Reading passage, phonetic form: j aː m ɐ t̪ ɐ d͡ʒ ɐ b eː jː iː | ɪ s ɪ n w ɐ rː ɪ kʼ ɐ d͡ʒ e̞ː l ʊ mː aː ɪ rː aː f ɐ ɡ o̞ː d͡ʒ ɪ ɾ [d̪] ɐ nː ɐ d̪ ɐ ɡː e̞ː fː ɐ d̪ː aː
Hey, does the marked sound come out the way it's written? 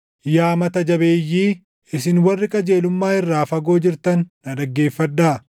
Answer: no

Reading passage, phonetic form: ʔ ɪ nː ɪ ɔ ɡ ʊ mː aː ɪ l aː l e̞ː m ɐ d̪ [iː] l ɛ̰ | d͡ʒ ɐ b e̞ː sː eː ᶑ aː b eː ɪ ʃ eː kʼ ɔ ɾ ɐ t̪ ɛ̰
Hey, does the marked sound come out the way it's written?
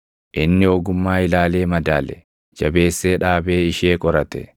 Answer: no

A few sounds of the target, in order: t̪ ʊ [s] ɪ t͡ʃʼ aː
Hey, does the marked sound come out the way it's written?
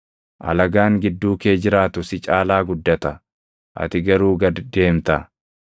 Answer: yes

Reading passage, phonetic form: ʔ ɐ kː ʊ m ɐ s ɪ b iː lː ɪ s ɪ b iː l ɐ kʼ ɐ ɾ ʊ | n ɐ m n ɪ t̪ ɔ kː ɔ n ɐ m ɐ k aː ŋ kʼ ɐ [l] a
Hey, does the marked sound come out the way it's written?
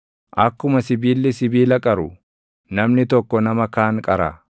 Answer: no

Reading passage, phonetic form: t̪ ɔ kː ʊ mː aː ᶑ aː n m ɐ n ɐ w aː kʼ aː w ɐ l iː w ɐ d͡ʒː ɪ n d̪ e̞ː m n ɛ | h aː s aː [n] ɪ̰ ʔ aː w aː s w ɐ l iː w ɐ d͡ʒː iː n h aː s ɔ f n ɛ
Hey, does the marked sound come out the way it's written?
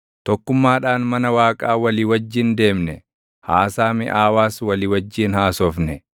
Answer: no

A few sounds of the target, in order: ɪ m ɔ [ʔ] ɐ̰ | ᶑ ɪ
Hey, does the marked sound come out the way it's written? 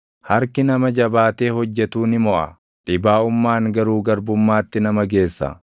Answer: yes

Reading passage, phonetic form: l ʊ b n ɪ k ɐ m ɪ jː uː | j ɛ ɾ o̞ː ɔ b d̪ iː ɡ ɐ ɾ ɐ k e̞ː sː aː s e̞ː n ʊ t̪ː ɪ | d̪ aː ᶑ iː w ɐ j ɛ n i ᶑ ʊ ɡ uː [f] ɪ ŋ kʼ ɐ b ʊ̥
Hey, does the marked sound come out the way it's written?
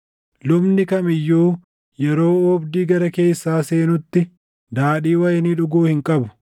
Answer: no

